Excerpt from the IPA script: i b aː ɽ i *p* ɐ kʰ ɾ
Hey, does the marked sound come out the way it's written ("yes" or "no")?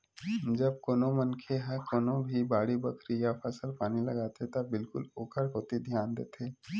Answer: no